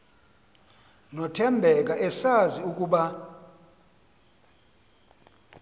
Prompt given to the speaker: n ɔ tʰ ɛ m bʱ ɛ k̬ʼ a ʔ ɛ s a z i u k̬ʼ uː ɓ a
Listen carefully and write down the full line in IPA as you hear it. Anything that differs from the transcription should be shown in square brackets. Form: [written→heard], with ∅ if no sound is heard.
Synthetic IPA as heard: n ɔ tʰ ɛ m bʱ ɛ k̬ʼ a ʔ ɛ s a z i u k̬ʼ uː ɓ a